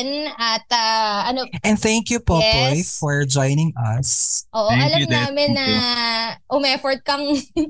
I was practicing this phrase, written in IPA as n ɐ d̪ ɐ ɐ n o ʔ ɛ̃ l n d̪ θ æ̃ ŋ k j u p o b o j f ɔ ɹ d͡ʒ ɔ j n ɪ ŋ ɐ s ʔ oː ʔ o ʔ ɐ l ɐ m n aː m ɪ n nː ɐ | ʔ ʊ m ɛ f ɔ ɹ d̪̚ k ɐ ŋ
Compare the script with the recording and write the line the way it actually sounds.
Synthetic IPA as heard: n ɐ t̪ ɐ ɐ n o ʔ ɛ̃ n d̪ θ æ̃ ŋ k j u p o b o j f ɔ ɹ d͡ʒ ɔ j n ɪ ŋ ɐ s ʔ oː ʔ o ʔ ɐ l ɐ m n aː m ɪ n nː ɐ | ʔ ʊ m ɛ f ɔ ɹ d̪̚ k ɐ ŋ